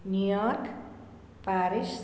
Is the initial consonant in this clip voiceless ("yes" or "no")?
no